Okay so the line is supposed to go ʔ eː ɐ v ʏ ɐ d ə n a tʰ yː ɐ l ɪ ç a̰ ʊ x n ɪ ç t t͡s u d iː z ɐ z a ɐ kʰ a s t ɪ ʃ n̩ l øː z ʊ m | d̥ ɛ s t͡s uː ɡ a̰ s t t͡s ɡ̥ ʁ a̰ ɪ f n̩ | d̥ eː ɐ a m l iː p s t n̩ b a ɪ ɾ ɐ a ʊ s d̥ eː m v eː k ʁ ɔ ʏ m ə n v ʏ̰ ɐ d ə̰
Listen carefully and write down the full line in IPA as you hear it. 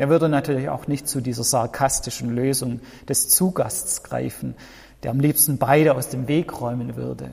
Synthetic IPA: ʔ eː ɐ v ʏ ɐ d ə n a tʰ yː ɐ l ɪ ç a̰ ʊ x n ɪ ç t t͡s u d iː z ɐ z a ɐ kʰ a s t ɪ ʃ n̩ l øː z ʊ ŋ | d̥ ɛ s t͡s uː ɡ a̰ s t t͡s ɡ̥ ʁ a̰ ɪ f n̩ | d̥ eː ɐ a m l iː p s t n̩ b a ɪ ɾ ə a ʊ s d̥ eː m v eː k ʁ ɔ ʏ m ə n v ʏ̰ ɐ d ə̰